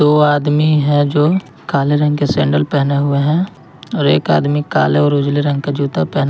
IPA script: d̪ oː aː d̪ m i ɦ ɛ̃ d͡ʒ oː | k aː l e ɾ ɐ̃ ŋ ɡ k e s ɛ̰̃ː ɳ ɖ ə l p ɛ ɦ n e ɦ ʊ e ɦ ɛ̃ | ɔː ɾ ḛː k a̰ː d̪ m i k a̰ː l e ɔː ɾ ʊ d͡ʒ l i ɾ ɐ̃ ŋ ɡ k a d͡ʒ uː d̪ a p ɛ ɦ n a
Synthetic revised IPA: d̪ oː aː d̪ m i ɦ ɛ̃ d͡ʒ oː | k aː l e ɾ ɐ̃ ŋ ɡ k e s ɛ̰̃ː ɳ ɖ ə l p ɛ ɦ n e ɦ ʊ e ɦ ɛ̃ | ɔː ɾ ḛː k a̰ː d̪ m i k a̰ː l e ɔː ɾ ʊ d͡ʒ l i ɾ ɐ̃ ŋ ɡ k a d͡ʒ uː t̪ a p ɛ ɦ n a